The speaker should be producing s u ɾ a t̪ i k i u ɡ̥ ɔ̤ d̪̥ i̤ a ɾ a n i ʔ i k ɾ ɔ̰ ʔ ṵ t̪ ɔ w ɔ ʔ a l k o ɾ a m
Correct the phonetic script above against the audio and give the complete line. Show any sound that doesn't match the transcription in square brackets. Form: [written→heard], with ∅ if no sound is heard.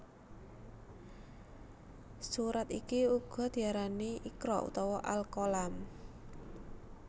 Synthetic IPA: s u ɾ a t̪ i k i u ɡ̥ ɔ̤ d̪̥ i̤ a ɾ a n i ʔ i k ɾ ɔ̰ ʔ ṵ t̪ ɔ w ɔ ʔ a l k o [ɾ→l] a m